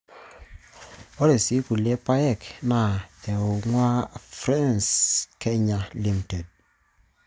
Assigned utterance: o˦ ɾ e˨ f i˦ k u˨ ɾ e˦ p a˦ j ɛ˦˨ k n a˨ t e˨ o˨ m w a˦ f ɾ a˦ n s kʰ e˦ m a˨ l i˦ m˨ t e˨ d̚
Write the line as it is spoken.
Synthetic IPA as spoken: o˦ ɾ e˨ s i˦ k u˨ l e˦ p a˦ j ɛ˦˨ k n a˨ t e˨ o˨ ŋ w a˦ f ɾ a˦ n s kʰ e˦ ɲ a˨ l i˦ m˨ t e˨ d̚